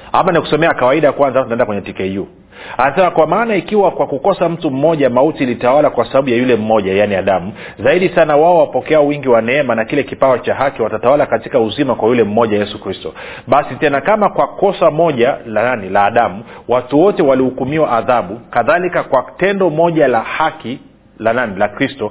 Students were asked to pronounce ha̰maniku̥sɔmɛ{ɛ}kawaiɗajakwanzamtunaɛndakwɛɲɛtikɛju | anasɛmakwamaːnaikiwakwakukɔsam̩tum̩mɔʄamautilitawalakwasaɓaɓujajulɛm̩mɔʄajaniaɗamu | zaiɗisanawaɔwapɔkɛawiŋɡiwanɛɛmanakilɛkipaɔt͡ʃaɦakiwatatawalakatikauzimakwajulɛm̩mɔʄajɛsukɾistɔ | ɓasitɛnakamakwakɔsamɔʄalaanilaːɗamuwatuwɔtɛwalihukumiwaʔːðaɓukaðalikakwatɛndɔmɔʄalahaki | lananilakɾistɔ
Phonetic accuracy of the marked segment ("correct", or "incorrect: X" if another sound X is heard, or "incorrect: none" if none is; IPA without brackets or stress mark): incorrect: a